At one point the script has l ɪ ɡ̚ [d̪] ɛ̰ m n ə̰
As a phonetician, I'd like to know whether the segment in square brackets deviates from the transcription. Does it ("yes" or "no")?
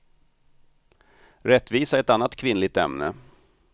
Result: yes